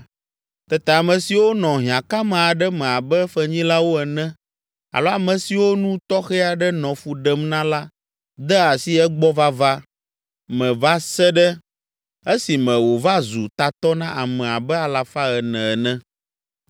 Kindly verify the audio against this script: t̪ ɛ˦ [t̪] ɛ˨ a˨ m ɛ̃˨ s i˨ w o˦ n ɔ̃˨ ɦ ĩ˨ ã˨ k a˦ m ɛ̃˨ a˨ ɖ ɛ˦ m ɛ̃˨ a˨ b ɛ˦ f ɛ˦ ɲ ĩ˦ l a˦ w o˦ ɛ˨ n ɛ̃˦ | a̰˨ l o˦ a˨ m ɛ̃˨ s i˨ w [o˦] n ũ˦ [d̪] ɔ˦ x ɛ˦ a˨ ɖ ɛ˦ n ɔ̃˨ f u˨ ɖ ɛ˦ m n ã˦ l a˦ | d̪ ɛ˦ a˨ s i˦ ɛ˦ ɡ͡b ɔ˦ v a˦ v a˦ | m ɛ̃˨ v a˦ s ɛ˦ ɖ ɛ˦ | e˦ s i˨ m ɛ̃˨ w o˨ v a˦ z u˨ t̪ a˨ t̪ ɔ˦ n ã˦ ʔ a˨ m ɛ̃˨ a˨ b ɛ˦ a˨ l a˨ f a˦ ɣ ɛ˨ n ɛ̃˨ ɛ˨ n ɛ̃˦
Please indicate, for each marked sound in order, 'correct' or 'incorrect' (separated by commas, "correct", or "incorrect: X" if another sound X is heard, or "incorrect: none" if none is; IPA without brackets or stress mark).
correct, correct, incorrect: t̪